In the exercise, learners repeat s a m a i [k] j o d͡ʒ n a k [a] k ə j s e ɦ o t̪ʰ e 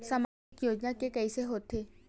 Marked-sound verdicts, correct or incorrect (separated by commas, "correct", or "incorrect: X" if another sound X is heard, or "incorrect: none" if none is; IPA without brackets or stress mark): correct, incorrect: e